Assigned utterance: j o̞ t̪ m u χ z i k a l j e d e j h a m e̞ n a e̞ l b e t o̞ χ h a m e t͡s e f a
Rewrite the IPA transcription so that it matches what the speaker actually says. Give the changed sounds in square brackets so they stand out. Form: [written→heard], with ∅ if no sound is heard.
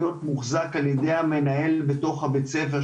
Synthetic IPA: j o̞ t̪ m u χ z [i→a] k a l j e d e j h a m e̞ n a e̞ l b e t o̞ χ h a [m→b] e t͡s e f [a→e]